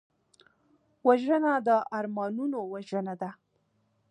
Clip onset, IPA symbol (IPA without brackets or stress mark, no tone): w